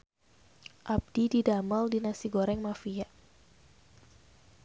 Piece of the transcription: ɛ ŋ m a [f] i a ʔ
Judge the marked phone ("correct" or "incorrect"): correct